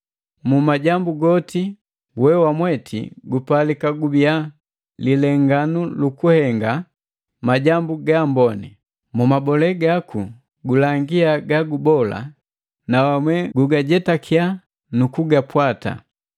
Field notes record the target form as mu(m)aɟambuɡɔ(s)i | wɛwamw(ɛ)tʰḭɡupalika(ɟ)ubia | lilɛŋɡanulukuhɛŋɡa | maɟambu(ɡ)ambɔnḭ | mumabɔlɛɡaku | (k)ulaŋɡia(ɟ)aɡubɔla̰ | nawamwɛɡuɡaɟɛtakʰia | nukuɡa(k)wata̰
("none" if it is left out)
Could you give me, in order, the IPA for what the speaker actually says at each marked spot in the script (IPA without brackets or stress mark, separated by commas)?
m, t, ɛ, ɡ, ɡ, ɡ, ɡ, p